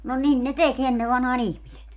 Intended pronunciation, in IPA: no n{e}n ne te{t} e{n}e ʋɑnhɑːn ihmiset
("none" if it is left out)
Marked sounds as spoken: i, k, nː

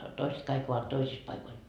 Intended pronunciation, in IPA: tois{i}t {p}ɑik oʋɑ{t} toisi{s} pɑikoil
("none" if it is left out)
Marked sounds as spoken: e, k, t, s

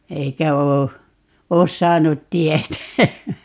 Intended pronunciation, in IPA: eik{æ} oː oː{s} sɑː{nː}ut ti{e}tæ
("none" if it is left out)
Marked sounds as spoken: æ, s, n, e

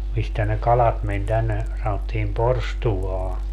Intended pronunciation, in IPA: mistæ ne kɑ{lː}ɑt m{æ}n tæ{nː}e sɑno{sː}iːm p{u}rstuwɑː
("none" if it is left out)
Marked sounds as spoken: l, e, nː, tː, o

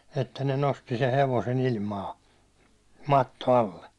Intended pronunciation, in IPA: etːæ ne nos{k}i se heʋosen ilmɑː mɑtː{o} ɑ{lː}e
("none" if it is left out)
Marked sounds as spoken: t, o, lː

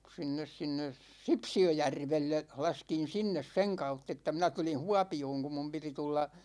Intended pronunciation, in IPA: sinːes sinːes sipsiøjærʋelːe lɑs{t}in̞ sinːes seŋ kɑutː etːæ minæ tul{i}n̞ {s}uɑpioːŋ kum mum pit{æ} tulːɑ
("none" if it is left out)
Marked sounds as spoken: k, i, h, i

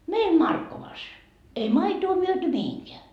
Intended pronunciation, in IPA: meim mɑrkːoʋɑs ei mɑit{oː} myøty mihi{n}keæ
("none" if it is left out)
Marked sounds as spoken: oː, ŋ

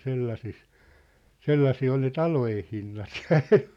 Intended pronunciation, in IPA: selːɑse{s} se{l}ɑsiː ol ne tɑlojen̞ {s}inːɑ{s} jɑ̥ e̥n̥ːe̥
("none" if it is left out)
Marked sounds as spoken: s, lː, h, t

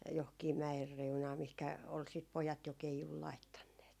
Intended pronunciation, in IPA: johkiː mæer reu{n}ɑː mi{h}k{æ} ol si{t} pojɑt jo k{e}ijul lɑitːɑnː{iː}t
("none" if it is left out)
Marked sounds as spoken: n, h, æ, t, e, eː

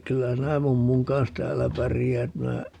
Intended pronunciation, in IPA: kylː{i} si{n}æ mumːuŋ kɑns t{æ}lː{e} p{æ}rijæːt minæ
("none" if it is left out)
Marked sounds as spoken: æ, n, æː, æ, æ

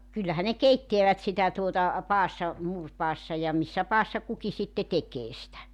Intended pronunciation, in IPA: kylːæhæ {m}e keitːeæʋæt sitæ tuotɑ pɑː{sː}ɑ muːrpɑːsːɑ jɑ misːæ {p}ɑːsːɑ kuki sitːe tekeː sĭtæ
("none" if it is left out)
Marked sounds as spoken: n, sː, p

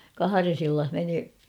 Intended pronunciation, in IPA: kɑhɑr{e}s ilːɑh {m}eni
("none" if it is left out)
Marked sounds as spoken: e, m

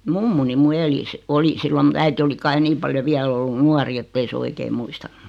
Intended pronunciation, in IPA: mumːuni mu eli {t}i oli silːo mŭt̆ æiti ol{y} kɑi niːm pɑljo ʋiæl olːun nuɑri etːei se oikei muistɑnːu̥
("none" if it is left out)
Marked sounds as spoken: s, i

